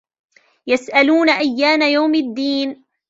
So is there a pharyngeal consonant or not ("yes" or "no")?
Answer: no